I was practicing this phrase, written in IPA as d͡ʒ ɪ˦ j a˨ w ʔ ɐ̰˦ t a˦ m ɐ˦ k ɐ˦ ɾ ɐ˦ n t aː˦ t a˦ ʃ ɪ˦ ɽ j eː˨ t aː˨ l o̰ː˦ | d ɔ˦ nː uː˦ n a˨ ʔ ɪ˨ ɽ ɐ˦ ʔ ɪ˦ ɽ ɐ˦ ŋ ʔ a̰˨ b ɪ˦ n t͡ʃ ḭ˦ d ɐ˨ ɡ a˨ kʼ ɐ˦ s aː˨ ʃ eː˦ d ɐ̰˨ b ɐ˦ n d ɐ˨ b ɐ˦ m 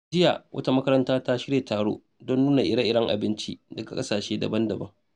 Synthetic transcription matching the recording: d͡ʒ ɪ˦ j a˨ w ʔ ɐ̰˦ t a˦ m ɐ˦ k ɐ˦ ɾ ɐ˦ n t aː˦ t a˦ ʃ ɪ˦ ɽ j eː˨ t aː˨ ɽ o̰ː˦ | d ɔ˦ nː uː˦ n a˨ ʔ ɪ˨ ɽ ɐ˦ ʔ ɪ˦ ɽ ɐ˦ ŋ ʔ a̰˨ b ɪ˦ n t͡ʃ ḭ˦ d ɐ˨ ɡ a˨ kʼ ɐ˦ s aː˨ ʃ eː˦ d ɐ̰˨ b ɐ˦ n d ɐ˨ b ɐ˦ ŋ